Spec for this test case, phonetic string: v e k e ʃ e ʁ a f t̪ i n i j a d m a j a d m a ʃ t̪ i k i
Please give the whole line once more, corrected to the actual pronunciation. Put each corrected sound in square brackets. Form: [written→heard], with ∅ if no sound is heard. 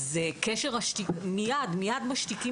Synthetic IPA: [v→z] e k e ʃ e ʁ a [f→ʃ] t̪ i [n→m] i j a d m [a→i] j a d m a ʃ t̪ i k i